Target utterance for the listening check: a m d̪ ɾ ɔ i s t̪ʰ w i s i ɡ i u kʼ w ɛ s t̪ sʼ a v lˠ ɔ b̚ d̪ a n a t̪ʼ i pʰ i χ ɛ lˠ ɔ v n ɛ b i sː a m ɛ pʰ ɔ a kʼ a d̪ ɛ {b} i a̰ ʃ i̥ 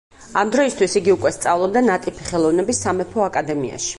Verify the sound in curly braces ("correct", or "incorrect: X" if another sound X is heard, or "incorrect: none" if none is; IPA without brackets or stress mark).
incorrect: m